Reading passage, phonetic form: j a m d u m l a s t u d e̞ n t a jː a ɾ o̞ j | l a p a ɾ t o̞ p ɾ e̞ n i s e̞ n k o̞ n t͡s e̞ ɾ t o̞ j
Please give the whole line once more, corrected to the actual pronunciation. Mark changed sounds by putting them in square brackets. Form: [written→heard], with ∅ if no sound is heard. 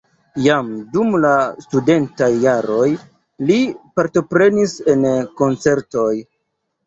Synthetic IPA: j a m d u m l a s t u d e̞ n t a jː a ɾ o̞ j | l [a→i] p a ɾ t o̞ p ɾ e̞ n i s e̞ n k o̞ n t͡s e̞ ɾ t o̞ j